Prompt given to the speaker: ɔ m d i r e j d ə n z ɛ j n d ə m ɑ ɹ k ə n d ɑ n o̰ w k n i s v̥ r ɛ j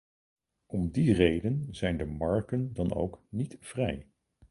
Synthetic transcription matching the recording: ɔ m d i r e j d ə n z ɛ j n d ə m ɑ ɹ k ə n d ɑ n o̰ w k n i t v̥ r ɛ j